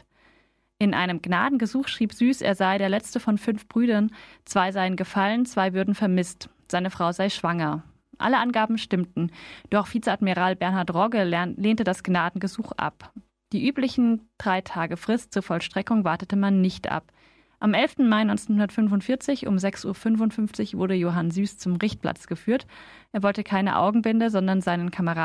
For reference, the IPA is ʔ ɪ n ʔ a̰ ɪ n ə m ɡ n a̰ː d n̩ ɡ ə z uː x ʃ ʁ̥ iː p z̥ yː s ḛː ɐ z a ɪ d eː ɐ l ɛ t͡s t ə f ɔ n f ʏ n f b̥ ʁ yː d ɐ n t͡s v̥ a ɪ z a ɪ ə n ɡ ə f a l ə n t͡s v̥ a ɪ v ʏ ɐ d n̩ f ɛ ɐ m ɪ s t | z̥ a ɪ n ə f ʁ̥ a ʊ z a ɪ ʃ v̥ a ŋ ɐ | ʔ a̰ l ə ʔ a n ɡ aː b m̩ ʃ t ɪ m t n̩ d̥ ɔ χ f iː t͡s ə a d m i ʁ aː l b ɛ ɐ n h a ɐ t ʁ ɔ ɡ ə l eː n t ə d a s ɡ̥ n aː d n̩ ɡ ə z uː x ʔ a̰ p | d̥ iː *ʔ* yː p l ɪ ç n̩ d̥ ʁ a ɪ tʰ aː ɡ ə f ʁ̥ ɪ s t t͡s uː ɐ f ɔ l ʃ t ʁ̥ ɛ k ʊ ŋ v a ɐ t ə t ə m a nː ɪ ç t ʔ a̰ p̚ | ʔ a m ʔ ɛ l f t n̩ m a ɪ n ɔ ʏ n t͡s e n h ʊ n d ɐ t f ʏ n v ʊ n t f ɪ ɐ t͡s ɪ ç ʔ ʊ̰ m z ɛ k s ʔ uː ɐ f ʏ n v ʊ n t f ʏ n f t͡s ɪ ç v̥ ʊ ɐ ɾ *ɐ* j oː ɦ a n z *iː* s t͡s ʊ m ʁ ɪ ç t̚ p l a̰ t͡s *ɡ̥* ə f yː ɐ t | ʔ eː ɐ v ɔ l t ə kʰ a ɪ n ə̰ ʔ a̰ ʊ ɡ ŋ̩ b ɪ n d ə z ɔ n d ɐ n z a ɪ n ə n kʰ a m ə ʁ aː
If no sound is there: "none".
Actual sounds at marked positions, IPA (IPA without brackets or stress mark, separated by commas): ʔ, ə, yː, ɡ̥